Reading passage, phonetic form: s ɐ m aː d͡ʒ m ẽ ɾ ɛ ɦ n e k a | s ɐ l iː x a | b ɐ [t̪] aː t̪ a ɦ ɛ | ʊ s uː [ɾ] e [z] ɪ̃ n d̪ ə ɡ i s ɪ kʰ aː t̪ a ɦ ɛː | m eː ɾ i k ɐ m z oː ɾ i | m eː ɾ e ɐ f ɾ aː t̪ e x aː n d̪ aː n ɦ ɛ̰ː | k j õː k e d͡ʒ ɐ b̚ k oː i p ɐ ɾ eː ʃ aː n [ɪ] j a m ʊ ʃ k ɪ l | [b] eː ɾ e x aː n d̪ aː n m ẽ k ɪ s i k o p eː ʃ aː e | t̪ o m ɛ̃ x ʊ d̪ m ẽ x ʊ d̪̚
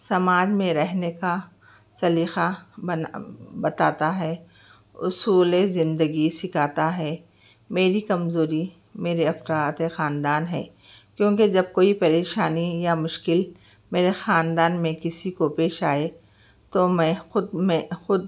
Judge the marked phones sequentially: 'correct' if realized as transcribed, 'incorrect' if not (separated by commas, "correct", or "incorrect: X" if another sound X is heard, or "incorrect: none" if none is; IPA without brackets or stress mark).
correct, incorrect: l, correct, incorrect: i, incorrect: m